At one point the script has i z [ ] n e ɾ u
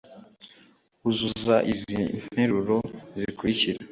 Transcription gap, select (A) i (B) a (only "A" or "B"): A